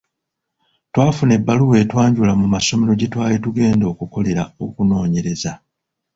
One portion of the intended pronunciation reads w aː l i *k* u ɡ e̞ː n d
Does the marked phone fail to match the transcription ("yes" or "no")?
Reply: yes